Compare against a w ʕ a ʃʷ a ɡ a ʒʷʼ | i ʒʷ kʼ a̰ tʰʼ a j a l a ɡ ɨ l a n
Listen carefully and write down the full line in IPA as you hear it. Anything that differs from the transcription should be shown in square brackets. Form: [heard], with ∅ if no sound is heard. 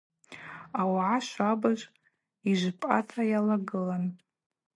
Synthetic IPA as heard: a w ʕ a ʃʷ a [b] a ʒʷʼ | i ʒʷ [pʼ] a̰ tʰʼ a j a l a ɡ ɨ l a n